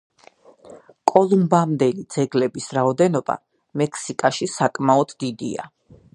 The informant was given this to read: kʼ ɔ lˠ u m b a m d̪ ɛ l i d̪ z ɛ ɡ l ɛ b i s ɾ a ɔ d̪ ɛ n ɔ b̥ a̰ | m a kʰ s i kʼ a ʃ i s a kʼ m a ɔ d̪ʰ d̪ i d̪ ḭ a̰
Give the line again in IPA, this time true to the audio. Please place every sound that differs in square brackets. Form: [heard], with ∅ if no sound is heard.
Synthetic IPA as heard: kʼ ɔ lˠ u m b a m d̪ ɛ l i d̪ z ɛ ɡ l ɛ b i s ɾ a ɔ d̪ ɛ n ɔ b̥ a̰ | m [ɛ] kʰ s i kʼ a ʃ i s a kʼ m a ɔ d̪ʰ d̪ i d̪ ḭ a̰